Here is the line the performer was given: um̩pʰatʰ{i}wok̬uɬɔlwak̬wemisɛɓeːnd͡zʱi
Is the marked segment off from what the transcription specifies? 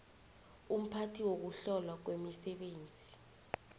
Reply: no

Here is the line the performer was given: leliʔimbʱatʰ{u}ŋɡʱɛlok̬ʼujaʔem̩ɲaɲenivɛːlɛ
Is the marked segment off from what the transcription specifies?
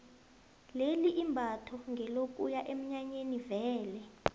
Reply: yes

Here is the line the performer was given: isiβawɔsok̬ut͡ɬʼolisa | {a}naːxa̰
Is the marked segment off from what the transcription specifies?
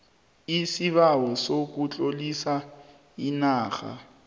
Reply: yes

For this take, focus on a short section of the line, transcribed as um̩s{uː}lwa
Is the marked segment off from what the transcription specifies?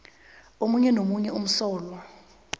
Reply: yes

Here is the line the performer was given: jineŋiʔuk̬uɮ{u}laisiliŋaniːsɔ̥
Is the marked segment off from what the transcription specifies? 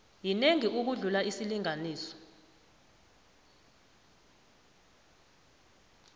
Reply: no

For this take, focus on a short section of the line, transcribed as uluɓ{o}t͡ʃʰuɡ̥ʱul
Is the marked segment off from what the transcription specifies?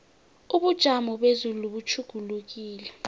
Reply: yes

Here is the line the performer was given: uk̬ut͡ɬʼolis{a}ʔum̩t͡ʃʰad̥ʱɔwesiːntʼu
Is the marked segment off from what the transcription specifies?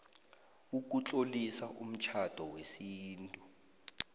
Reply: no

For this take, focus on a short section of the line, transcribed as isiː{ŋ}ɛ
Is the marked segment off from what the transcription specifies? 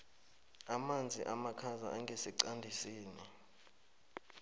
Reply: yes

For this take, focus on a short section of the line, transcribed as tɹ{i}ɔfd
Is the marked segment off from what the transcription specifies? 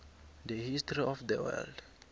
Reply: no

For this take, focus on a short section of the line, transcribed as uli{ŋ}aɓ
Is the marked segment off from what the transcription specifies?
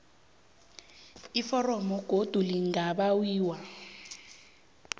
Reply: no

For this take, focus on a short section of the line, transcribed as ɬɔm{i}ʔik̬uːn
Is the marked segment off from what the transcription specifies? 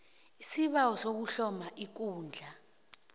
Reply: yes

